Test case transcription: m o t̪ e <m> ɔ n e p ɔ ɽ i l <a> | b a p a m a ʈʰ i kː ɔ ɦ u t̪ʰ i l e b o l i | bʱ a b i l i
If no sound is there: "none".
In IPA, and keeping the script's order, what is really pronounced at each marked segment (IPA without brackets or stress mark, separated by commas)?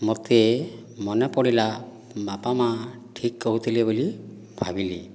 m, a